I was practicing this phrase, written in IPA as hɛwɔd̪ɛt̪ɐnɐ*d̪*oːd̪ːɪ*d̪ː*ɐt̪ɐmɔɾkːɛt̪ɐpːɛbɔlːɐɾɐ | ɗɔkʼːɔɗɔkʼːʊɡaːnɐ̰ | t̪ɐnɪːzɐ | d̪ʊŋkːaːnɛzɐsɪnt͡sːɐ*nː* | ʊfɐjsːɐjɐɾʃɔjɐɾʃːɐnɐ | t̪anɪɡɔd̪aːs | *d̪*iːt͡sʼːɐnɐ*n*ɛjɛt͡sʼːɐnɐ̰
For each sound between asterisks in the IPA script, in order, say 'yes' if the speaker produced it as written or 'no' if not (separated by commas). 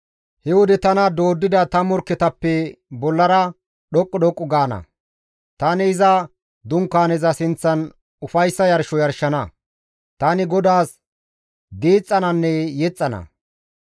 yes, no, no, yes, no